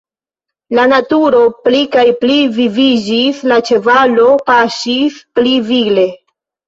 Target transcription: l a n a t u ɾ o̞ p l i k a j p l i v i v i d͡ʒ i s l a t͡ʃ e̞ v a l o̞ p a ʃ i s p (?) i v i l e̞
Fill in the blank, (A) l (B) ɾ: A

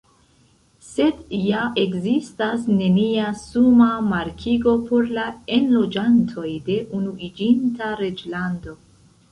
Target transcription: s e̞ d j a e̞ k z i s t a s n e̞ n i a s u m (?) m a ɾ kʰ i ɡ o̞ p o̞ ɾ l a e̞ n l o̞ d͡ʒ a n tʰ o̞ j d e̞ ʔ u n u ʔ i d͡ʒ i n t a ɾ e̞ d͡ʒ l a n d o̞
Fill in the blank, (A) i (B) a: B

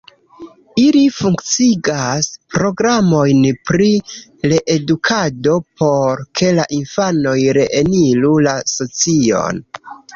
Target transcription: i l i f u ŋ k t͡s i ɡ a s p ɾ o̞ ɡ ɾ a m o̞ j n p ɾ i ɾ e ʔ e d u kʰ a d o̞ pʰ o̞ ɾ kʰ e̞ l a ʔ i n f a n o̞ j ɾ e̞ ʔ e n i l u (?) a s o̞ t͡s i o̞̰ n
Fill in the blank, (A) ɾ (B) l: B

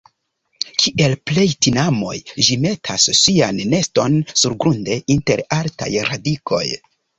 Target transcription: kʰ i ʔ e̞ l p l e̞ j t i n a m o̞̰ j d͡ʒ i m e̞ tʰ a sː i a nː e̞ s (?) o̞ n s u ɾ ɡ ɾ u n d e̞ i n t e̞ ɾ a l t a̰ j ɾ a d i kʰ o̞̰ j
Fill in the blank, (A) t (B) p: A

